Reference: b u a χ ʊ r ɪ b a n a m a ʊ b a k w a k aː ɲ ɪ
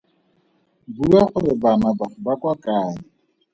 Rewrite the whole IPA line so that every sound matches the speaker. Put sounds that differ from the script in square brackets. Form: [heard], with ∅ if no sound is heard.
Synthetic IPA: b u a χ ʊ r ɪ b a n a [b] a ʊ b a k w a k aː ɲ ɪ